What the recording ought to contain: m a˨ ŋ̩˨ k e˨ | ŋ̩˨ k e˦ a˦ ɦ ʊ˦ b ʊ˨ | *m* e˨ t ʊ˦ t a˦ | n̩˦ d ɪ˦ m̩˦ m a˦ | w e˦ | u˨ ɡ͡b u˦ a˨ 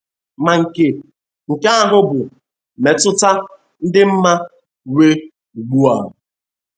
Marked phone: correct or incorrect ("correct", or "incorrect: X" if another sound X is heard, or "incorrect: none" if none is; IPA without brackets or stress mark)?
correct